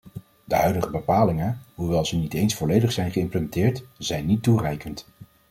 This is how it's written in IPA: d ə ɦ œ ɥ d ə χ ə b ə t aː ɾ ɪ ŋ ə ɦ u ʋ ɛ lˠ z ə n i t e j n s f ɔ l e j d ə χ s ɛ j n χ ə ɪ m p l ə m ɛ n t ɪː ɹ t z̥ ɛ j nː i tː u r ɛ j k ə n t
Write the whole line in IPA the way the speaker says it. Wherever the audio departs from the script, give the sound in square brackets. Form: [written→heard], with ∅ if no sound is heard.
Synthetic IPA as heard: d ə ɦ œ ɥ d ə χ ə b ə [t→p] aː [ɾ→l] ɪ ŋ ə ɦ u ʋ ɛ lˠ z ə n i t e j n s f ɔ l e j d ə χ s ɛ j n χ ə ɪ m p l ə m ɛ n t ɪː ɹ t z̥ ɛ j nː i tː u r ɛ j k ə n t